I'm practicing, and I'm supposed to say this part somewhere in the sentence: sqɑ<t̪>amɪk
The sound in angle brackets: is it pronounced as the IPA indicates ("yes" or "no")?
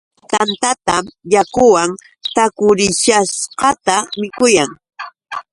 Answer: yes